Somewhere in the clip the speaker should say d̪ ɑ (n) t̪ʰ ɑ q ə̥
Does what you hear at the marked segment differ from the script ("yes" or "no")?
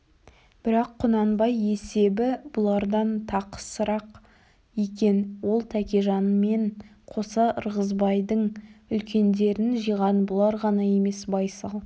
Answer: no